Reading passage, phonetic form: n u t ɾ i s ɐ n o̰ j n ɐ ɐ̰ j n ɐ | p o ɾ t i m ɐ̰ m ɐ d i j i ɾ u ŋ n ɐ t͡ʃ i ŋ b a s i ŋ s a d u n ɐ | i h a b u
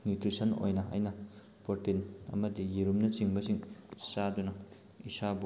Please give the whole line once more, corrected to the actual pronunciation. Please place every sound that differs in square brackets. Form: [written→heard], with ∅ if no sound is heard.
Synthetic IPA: n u t ɾ i s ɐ n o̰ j n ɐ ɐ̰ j n ɐ | p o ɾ t i [m→n] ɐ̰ m ɐ d i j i ɾ u [ŋ→m] n ɐ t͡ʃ i ŋ b [a→ɐ] s i ŋ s a d u n ɐ | i [h→s] a b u